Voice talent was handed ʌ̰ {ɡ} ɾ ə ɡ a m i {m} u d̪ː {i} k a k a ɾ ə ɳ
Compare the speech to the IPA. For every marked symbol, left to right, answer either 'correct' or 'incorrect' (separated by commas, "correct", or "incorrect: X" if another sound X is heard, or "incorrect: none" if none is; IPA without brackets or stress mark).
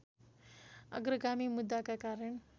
correct, correct, incorrect: a